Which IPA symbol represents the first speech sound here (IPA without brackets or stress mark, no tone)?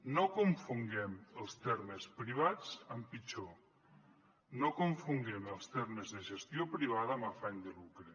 n